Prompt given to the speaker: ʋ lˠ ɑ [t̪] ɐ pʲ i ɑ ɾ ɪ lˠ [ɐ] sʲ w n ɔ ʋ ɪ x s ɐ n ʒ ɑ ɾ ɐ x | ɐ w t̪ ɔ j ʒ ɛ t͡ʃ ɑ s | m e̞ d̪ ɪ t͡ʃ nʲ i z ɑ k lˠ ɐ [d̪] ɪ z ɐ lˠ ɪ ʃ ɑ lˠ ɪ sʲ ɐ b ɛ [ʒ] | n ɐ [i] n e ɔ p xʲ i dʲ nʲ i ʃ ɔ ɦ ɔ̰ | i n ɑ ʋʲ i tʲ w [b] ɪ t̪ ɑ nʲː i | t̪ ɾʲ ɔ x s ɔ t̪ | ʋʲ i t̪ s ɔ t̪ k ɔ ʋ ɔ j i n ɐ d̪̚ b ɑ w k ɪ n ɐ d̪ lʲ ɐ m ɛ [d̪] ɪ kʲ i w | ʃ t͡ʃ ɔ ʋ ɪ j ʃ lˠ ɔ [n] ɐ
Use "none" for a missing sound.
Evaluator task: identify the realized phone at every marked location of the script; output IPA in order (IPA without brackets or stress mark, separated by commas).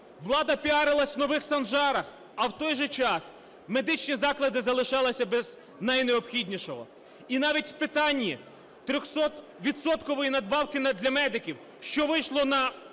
d̪, ɐ, d̪, z, j, p, d̪, n